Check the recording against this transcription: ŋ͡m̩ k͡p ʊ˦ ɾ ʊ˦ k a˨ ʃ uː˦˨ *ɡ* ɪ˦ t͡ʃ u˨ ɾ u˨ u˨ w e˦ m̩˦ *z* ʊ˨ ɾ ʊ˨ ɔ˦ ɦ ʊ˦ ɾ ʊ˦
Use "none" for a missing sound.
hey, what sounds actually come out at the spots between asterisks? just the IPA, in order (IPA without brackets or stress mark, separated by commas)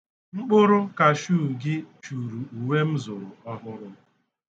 ɡ, z